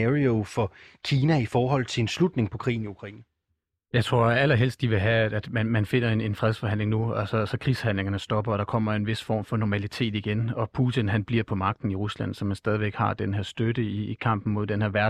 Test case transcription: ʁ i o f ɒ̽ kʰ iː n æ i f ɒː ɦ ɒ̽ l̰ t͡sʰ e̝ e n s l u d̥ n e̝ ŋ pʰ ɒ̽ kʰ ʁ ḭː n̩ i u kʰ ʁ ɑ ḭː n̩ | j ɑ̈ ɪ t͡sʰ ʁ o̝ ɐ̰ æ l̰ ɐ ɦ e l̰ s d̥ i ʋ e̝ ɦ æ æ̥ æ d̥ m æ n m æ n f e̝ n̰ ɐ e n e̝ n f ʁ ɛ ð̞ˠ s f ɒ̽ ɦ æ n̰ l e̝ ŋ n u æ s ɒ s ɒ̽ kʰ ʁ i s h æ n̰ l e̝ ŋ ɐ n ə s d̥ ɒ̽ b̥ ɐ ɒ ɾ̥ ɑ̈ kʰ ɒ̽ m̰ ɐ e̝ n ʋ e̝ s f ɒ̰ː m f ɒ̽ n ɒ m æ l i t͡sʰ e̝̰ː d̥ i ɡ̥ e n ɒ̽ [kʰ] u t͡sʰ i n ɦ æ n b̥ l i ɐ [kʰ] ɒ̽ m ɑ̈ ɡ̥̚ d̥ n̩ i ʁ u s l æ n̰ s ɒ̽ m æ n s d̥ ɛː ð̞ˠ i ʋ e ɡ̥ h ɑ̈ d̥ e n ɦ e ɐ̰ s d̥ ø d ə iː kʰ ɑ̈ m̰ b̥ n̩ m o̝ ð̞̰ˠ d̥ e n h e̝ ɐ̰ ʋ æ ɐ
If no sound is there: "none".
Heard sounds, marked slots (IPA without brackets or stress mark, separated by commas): pʰ, pʰ